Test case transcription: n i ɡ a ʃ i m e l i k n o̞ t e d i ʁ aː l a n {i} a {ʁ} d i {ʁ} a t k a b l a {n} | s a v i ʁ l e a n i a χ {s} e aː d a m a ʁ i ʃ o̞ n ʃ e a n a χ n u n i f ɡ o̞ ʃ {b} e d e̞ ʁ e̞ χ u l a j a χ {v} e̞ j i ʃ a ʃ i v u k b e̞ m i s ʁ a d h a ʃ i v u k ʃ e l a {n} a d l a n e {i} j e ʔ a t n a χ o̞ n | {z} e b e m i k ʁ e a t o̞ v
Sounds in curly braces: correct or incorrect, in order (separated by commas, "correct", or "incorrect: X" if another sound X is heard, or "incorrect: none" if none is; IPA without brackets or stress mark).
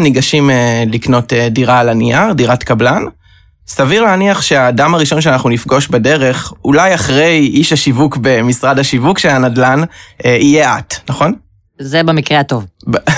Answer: correct, correct, correct, correct, incorrect: ʃ, correct, incorrect: ʁ, correct, correct, correct